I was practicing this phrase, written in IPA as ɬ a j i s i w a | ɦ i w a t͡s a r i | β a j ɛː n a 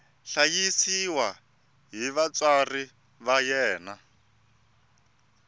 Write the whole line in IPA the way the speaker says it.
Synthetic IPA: ɬ a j i s i w a | ɦ i β a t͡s a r i | β a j ɛː n a